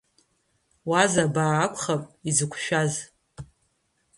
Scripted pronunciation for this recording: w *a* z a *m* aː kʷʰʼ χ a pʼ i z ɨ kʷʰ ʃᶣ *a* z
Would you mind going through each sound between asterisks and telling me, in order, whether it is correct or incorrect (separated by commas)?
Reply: correct, incorrect, correct